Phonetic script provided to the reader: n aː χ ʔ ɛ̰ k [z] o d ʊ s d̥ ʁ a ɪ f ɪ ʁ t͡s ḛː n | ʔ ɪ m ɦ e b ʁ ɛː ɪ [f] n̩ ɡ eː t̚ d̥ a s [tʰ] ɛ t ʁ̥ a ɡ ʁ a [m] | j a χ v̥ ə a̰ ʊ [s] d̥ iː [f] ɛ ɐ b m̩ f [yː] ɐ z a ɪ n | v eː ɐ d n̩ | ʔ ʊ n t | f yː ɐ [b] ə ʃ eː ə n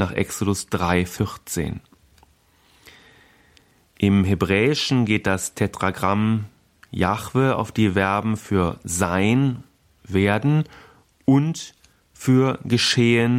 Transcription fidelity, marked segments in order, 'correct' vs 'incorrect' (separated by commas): incorrect, incorrect, correct, correct, incorrect, incorrect, correct, incorrect